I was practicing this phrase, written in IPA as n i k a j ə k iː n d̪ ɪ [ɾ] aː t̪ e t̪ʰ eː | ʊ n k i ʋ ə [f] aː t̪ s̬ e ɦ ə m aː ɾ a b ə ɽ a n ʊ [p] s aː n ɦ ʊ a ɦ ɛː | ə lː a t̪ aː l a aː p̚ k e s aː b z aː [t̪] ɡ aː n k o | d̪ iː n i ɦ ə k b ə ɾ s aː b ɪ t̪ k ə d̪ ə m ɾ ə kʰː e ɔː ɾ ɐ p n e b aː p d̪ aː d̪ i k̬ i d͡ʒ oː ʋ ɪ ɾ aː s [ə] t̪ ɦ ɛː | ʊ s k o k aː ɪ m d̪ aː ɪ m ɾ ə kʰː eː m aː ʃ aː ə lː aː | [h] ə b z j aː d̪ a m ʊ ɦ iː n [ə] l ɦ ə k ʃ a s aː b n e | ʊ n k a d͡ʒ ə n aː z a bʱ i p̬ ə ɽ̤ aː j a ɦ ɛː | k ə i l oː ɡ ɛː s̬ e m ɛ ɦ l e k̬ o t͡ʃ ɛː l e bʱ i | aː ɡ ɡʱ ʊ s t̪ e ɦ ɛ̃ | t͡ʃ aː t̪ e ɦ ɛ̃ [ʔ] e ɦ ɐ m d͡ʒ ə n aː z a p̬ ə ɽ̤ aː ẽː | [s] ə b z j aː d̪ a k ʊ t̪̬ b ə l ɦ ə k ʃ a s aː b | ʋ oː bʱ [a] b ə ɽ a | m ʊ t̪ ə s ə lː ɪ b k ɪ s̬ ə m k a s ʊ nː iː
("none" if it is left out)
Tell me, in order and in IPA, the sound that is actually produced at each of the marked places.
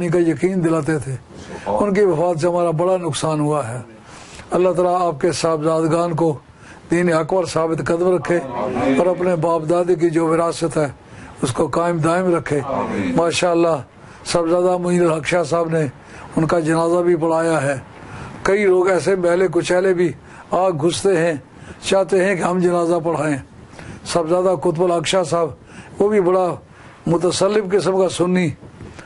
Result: l, f, k, d̪, ə, s, ə, k, s, i

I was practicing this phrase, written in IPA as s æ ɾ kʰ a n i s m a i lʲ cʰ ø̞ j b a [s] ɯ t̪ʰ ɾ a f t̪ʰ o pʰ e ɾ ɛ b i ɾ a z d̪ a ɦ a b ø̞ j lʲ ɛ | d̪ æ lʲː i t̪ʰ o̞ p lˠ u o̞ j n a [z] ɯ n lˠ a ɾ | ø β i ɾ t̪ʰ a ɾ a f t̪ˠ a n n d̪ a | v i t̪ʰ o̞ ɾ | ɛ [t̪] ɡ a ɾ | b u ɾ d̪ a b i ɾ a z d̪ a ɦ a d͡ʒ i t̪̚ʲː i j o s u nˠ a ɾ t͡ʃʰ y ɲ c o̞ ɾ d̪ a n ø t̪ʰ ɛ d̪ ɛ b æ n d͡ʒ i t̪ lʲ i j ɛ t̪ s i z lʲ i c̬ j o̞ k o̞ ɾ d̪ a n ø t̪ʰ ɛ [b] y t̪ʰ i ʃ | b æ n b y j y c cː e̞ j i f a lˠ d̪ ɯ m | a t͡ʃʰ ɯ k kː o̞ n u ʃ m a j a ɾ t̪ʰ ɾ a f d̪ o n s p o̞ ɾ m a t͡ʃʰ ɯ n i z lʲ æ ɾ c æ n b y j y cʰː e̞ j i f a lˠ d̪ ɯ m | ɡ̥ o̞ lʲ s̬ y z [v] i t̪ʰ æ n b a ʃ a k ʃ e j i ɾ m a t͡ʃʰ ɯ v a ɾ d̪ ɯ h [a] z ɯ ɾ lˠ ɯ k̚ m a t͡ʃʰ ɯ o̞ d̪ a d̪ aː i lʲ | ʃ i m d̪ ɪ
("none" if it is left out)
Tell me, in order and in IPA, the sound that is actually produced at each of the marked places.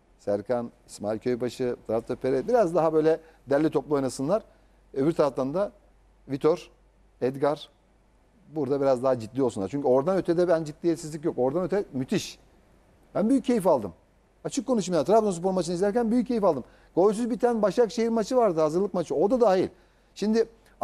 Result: ʃ, s, d̪, m, b, a

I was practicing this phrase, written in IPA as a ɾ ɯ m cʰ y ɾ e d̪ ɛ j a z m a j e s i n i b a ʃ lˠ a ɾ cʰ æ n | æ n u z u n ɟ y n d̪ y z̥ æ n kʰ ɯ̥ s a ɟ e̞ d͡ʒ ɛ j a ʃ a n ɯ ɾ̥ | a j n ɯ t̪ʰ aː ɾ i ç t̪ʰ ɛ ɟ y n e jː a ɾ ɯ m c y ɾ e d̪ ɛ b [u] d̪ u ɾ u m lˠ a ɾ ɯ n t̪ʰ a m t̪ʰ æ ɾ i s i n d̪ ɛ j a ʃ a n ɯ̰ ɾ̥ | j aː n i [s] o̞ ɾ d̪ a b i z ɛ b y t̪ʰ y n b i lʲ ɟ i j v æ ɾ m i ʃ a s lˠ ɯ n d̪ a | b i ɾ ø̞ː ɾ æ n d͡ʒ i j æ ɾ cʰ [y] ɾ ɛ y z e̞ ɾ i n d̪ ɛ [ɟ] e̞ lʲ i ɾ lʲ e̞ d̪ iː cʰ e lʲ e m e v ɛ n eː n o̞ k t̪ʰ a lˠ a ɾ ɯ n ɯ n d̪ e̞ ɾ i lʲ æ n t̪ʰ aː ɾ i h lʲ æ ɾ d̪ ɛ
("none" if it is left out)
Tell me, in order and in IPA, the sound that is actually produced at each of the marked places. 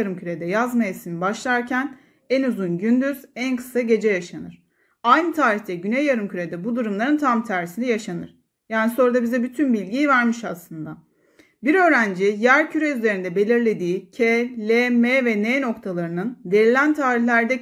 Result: u, s, y, b

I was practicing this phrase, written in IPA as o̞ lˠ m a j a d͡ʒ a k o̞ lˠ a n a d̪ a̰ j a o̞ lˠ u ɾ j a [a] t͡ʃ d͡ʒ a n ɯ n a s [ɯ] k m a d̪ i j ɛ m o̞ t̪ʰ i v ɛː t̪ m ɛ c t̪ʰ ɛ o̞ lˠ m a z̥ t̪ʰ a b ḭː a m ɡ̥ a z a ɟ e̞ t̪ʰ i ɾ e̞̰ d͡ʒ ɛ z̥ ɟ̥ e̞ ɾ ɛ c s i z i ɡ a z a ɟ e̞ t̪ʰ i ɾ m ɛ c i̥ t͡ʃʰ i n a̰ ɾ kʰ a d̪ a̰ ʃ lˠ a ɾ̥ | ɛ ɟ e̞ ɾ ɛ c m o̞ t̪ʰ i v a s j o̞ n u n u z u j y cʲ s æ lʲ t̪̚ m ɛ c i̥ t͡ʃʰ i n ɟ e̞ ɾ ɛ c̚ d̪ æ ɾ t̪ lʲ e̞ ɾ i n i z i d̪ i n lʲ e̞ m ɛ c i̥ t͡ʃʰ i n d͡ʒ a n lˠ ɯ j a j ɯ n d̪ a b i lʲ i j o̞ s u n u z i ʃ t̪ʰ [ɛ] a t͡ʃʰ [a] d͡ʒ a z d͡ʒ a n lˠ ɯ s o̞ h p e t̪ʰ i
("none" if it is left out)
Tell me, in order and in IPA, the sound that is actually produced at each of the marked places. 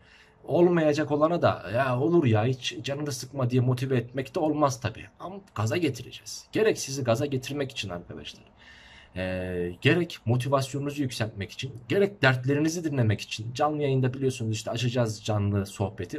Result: i, ɯ, ɛ, a

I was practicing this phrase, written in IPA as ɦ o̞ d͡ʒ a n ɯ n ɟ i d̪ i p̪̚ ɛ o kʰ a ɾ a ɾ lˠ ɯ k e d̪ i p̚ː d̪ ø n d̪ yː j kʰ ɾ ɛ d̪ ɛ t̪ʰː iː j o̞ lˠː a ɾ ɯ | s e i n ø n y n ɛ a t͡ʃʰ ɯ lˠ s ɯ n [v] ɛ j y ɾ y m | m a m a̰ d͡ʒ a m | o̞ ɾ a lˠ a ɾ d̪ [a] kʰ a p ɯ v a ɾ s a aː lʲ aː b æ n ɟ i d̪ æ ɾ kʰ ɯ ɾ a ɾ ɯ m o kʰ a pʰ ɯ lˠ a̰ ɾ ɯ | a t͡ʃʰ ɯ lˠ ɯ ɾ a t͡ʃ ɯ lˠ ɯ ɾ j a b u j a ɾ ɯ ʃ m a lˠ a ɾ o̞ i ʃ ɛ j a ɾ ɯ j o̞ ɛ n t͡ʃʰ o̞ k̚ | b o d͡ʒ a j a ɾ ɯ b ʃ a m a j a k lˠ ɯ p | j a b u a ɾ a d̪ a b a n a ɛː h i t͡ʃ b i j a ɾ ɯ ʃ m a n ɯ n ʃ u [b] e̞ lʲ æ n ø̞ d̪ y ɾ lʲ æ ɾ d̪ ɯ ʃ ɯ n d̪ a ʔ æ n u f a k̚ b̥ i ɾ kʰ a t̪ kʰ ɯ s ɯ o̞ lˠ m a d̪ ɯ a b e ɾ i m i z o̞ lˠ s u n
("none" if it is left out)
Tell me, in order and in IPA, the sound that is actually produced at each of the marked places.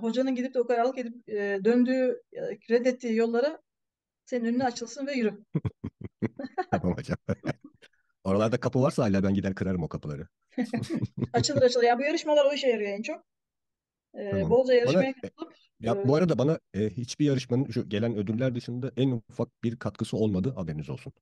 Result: v, a, ɟ

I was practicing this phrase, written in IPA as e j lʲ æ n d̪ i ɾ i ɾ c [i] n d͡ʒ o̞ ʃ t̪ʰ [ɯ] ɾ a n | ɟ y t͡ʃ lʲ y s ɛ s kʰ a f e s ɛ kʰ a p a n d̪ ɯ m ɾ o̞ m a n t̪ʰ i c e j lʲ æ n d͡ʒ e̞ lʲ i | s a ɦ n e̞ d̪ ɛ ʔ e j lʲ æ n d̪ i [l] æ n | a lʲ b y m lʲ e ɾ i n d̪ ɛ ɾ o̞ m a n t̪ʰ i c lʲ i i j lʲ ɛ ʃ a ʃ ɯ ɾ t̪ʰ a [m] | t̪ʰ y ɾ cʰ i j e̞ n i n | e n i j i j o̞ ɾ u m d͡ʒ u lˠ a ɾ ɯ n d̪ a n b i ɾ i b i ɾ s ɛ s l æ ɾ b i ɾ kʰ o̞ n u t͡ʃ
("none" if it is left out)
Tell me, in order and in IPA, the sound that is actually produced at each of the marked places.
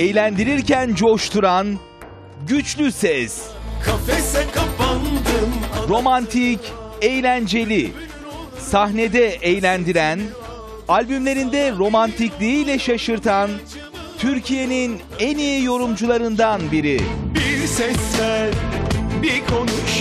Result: æ, u, ɾ, n

